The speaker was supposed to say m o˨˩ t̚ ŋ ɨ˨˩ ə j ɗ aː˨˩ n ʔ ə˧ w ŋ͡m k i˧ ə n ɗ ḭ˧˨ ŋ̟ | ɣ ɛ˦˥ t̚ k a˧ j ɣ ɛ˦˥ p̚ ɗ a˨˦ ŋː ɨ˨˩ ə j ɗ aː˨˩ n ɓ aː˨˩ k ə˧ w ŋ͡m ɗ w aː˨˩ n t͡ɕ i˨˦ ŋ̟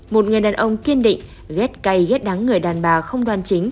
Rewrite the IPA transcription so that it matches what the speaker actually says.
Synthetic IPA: m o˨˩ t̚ ŋ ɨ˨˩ ə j ɗ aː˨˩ n ʔ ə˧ w ŋ͡m k i˧ ə n ɗ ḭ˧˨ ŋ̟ | ɣ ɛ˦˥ t̚ k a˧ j ɣ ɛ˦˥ t̚ ɗ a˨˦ ŋː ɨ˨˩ ə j ɗ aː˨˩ n ɓ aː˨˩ x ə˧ w ŋ͡m ɗ w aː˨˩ n t͡ɕ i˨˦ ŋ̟